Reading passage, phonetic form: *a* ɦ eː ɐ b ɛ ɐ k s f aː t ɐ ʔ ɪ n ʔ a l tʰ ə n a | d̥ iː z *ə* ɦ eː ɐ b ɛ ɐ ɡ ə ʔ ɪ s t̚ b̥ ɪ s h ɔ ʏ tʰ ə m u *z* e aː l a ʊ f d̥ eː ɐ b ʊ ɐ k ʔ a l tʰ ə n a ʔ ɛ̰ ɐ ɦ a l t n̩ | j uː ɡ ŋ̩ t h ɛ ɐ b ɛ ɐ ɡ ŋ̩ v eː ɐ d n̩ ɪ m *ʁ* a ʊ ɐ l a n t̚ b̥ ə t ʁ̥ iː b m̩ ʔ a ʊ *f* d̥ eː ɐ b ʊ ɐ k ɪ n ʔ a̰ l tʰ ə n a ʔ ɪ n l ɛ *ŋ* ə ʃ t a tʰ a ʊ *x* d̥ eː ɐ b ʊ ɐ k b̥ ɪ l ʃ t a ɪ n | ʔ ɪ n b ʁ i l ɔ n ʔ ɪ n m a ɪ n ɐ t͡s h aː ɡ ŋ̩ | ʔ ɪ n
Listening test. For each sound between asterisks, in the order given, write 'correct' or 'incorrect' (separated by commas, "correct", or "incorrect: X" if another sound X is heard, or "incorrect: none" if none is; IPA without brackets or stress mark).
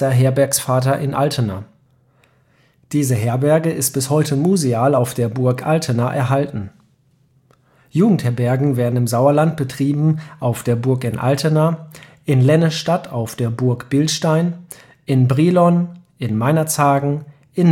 incorrect: ɐ, correct, correct, incorrect: z, correct, incorrect: n, incorrect: f